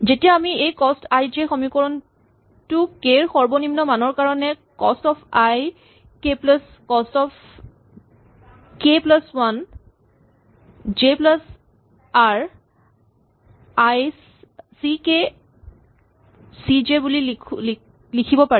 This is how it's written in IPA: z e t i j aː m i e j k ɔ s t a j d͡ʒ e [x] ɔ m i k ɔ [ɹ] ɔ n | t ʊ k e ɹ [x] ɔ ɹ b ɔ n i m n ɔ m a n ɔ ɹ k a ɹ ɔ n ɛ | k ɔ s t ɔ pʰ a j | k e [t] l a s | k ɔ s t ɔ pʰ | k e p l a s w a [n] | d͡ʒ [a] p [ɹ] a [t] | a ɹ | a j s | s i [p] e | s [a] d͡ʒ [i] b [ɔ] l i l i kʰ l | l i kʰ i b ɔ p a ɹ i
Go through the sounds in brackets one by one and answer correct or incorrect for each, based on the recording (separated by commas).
correct, correct, correct, incorrect, correct, incorrect, incorrect, incorrect, incorrect, incorrect, incorrect, incorrect